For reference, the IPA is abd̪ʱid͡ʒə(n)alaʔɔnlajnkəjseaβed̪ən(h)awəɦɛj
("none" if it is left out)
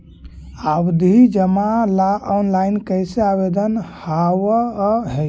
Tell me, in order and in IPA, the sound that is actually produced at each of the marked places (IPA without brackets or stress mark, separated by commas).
m, h